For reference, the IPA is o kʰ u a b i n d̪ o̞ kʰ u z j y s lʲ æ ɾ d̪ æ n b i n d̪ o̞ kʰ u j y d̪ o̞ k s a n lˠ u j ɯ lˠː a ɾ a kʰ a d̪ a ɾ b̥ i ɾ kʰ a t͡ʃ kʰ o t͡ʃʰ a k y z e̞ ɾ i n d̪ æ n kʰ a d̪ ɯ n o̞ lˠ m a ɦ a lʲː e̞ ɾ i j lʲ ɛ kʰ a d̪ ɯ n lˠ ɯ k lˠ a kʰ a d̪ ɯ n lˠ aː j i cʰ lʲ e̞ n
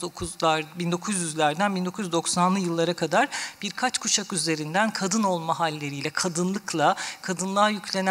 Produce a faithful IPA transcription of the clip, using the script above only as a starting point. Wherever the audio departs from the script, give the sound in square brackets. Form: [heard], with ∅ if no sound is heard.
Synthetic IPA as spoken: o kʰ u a b i n d̪ o̞ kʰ u z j y [z] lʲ æ ɾ d̪ æ n b i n d̪ o̞ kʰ u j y d̪ o̞ k s a n lˠ [ɯ] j ɯ lˠː a ɾ a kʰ a d̪ a ɾ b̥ i ɾ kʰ a t͡ʃ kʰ [u] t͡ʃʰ a k y z e̞ ɾ i n d̪ æ n kʰ a d̪ ɯ n o̞ lˠ m a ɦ a lʲː e̞ ɾ i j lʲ ɛ kʰ a d̪ ɯ n lˠ ɯ k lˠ a kʰ a d̪ ɯ n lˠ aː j [y] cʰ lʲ e̞ n